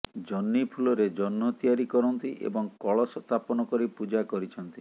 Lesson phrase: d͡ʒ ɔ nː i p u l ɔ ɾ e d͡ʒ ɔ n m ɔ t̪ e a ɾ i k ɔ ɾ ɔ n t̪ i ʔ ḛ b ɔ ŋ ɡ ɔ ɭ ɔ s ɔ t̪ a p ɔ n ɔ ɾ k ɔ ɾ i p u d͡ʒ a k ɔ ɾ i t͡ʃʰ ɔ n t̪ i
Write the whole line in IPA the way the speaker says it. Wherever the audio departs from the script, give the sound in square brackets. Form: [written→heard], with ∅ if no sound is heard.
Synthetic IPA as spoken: d͡ʒ ɔ nː i [p→pʰ] u l ɔ ɾ e d͡ʒ ɔ n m ɔ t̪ [e→i] a ɾ i k ɔ ɾ ɔ n t̪ i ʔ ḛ b ɔ ŋ [ɡ→k] ɔ ɭ ɔ s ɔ t̪ a p ɔ n ɔ [ɾ→∅] k ɔ ɾ i p u d͡ʒ a k ɔ ɾ i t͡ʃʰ ɔ n t̪ i

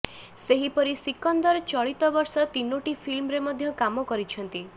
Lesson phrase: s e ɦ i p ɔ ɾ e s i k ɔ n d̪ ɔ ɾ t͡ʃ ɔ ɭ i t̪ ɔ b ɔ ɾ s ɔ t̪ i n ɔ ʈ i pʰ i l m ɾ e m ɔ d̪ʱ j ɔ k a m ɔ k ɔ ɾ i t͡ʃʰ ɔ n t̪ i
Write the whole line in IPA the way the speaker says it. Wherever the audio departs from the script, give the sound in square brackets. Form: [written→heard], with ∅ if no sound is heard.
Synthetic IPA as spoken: s e ɦ i p ɔ ɾ [e→i] s i k ɔ n d̪ ɔ ɾ t͡ʃ ɔ ɭ i t̪ ɔ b ɔ ɾ s ɔ t̪ i n [ɔ→o] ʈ i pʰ i l m ɾ e m ɔ d̪ʱ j ɔ k a m ɔ k ɔ ɾ i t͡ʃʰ ɔ n t̪ i

